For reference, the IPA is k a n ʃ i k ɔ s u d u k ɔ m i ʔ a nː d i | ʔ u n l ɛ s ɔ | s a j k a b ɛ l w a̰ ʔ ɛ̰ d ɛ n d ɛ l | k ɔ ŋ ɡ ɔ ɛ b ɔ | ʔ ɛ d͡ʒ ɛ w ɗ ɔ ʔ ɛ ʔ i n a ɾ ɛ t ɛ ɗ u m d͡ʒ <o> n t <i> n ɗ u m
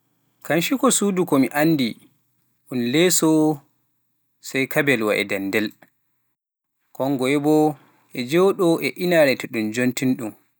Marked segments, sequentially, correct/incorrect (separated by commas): correct, correct